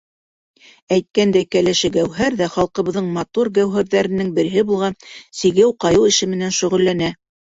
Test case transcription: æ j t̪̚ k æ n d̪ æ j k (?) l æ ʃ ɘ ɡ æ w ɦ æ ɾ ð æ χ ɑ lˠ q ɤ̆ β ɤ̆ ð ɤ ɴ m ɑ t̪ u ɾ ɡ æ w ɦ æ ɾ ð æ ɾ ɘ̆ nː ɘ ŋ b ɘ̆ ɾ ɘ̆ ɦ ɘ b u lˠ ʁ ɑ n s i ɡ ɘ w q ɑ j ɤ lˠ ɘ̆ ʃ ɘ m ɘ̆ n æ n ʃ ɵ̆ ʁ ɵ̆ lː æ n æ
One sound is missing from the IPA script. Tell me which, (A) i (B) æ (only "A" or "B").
B